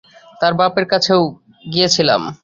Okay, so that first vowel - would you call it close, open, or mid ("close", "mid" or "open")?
open